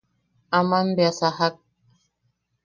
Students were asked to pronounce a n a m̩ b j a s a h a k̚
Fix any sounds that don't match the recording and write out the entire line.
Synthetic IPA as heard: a m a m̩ b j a s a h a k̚

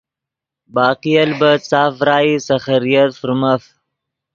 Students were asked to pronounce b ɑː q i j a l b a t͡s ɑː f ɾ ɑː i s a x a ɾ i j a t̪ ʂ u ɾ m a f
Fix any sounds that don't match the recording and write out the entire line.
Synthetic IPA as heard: b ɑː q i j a l b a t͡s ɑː f ɾ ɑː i s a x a ɾ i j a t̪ f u ɾ m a f

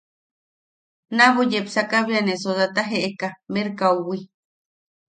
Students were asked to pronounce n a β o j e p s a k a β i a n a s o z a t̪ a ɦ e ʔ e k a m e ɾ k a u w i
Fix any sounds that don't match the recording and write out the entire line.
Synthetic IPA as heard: n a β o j e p s a k a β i a n e s o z a t̪ a ɦ e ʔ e k a m e ɾ k a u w i

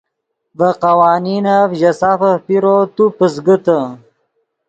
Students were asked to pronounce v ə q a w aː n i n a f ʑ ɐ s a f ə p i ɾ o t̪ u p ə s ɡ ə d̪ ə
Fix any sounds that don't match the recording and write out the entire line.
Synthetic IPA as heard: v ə q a w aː n i n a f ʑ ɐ s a f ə p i ɾ o t̪ u p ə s ɡ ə t̪ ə

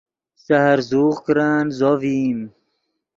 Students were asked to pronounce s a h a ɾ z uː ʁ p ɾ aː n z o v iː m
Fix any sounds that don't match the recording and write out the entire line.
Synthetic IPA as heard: s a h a ɾ z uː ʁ k ɾ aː n z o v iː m

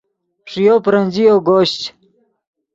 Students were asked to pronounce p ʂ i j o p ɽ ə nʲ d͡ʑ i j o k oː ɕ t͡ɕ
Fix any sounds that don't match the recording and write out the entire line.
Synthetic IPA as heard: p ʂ i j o p ɾ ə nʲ d͡ʑ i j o ɡ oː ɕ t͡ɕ

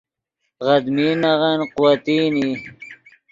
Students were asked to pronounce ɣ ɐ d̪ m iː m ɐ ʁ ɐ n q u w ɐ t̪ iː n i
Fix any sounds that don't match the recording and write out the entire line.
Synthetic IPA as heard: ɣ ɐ d̪ m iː n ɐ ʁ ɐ n q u w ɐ t̪ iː n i

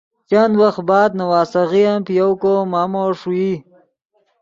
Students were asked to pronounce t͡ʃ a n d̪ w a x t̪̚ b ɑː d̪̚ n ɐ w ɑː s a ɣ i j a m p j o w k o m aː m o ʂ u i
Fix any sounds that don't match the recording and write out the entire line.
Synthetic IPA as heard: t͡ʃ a n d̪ w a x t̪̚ b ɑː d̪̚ n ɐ w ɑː s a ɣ i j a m p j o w k o m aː m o ʂ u i

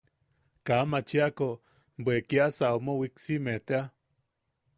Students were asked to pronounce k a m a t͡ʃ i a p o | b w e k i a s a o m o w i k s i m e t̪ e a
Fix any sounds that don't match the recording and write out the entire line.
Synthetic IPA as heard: k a m a t͡ʃ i a k o | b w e k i a s a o m o w i k s i m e t̪ e a

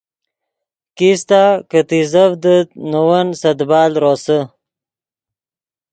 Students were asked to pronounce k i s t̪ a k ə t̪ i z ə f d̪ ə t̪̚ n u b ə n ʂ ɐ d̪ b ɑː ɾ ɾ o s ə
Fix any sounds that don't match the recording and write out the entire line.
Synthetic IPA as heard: k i s t̪ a k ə t̪ i z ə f d̪ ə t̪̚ n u w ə n s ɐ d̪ b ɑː l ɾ o s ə

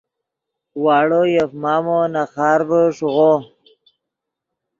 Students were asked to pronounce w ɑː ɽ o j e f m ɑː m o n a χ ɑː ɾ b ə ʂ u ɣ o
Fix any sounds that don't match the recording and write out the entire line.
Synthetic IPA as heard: w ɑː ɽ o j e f m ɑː m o n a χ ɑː ɾ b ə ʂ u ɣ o

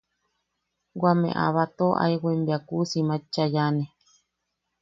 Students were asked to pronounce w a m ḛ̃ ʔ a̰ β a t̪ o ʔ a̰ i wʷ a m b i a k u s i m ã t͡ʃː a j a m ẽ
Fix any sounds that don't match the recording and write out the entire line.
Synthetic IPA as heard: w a m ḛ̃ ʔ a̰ β a t̪ o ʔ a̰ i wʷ e m b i a k u s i m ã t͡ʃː a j a n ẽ

